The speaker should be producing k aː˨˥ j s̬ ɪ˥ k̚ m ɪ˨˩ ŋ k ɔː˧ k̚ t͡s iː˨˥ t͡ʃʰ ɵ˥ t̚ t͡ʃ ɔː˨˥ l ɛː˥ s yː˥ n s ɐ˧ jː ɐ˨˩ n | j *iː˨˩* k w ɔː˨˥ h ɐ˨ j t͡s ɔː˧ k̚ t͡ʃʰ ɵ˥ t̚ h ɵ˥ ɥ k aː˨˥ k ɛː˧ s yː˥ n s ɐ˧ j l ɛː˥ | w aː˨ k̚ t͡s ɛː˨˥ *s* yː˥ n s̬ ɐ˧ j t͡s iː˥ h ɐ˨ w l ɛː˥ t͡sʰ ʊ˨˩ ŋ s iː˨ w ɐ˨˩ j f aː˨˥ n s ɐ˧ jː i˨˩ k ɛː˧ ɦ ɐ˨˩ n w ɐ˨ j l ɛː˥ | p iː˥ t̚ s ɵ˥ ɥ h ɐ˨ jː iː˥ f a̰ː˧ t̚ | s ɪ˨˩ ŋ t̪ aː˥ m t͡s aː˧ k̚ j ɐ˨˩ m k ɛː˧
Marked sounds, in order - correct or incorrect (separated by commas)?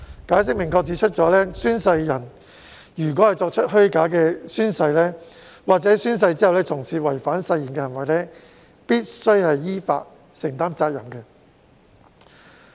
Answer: incorrect, correct